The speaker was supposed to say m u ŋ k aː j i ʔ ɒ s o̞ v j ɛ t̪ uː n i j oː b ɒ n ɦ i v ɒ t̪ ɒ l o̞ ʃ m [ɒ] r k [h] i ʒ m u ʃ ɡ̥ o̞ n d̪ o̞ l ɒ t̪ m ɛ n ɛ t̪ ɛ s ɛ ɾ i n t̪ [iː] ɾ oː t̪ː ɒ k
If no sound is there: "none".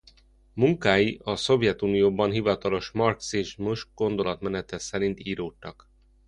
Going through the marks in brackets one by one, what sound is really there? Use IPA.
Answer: ɒ, s, iː

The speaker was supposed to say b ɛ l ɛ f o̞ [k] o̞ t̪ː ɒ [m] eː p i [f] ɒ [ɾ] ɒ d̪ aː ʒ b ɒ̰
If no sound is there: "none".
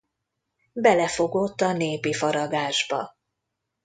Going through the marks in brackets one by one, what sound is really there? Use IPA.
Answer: ɡ, n, f, ɾ

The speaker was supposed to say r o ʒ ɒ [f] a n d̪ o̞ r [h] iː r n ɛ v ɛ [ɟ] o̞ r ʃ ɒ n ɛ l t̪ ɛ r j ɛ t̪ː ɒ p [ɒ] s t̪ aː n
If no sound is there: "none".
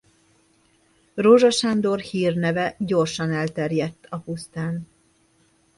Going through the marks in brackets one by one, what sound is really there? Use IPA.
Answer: ʃ, h, ɟ, u

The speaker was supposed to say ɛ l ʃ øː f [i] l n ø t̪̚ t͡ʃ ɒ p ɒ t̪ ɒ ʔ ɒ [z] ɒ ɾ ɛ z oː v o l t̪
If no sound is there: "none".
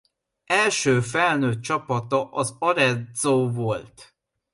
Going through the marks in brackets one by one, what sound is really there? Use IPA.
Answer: ɛ, z

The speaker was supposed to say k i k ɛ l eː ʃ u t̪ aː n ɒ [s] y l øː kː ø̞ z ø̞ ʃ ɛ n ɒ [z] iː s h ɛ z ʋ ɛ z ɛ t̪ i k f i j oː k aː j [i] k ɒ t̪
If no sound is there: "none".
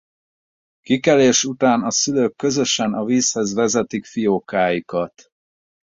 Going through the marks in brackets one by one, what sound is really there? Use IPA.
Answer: s, v, i

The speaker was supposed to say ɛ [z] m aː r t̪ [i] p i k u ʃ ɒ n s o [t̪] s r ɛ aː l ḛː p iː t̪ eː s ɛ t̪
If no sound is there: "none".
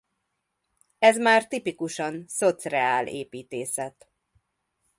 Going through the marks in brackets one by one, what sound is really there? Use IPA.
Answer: z, i, t̪

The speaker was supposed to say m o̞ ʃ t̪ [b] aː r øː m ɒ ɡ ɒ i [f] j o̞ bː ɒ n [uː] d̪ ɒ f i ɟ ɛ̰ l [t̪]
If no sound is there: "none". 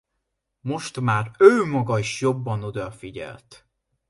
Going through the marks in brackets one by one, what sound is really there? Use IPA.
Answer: m, ʃ, u, t̪

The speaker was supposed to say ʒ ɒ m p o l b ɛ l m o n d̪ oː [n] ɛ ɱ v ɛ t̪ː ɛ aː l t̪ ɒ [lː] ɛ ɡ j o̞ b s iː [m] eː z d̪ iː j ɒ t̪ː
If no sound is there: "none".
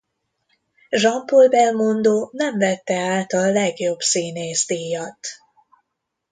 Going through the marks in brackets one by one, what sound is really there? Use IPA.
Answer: n, lː, n

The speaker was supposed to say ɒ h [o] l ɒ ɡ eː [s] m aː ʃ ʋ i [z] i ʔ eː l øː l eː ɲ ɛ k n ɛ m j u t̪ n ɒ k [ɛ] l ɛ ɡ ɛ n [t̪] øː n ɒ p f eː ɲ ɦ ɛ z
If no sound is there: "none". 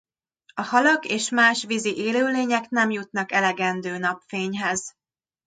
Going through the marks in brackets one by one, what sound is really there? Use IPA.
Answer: ɒ, ʃ, z, ɛ, d̪

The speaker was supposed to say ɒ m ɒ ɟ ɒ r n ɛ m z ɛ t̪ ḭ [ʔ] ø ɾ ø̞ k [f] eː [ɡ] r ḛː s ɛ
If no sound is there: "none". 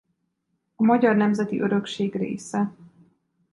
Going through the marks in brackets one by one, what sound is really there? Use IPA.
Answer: ʔ, ʃ, ɡ

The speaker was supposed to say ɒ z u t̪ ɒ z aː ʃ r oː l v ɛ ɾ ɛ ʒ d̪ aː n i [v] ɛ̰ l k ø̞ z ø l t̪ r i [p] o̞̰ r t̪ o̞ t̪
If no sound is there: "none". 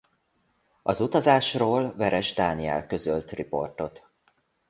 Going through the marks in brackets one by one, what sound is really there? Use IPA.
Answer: none, p

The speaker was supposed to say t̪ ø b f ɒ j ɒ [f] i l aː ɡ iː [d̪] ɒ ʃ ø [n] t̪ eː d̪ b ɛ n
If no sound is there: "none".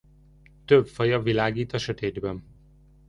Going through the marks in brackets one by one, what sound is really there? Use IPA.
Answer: v, t̪, none

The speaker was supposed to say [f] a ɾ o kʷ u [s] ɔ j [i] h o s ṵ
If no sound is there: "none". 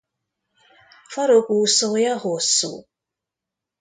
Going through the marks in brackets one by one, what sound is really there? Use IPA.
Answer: f, s, a

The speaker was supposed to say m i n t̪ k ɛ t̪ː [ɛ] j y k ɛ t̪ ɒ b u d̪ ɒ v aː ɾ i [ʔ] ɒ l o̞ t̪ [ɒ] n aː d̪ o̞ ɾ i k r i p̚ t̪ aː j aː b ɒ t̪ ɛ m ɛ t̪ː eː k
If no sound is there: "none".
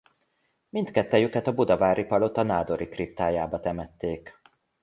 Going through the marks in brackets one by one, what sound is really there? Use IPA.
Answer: ɛ, p, ɒ

